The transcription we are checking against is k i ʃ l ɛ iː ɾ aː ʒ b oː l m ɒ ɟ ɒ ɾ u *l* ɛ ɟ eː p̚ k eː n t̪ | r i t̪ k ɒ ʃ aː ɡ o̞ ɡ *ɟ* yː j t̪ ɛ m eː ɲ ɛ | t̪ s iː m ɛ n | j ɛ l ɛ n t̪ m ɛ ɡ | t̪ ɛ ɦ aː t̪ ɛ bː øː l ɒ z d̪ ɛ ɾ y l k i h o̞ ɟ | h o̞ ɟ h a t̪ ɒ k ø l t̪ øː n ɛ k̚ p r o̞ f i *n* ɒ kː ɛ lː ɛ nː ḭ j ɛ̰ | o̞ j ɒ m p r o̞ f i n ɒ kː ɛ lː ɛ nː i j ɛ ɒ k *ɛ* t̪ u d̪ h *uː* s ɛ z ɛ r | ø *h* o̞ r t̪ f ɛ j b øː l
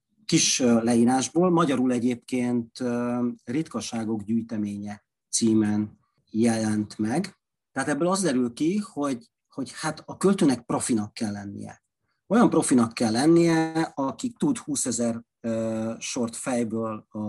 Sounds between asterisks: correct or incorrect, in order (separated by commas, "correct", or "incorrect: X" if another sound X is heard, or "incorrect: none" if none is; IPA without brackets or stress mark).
correct, correct, correct, incorrect: i, correct, incorrect: ʃ